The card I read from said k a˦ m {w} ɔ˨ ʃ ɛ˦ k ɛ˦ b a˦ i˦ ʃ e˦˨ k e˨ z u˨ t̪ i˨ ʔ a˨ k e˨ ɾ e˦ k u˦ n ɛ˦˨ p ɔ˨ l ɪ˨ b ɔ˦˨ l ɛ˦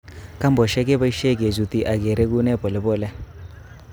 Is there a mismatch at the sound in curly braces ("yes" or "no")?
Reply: yes